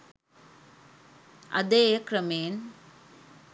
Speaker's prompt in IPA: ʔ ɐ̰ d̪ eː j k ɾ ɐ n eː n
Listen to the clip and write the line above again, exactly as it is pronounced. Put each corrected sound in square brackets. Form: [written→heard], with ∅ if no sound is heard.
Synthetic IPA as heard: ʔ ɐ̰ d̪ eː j k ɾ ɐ [n→m] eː n